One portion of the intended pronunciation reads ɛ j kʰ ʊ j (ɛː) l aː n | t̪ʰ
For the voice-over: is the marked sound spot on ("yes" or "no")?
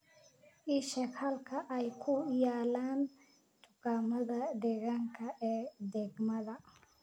no